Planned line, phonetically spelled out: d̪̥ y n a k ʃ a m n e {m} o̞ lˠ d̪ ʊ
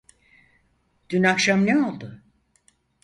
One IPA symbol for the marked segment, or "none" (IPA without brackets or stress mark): none